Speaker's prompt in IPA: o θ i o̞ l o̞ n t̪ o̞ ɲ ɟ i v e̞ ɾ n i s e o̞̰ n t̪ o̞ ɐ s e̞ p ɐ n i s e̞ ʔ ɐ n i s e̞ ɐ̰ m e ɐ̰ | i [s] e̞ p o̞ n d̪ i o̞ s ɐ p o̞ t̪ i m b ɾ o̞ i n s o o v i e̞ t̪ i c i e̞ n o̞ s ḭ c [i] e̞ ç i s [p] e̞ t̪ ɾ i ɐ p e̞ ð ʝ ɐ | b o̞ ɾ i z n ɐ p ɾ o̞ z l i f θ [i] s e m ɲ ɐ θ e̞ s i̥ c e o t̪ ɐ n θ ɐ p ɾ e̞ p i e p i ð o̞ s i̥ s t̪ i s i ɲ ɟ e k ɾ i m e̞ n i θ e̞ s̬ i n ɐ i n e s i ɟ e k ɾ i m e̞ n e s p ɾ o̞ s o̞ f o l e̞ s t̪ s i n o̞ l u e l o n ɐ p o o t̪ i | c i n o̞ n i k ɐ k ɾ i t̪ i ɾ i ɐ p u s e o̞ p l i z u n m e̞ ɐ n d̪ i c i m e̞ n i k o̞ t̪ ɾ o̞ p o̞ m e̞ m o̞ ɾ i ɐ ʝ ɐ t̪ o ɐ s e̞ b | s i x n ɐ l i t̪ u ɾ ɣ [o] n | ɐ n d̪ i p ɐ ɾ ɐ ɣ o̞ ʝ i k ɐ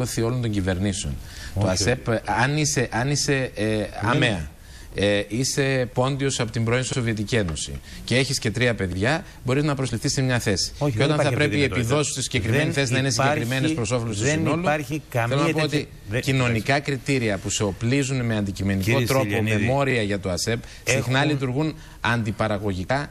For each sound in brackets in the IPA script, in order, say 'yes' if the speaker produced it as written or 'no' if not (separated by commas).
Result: yes, no, no, yes, no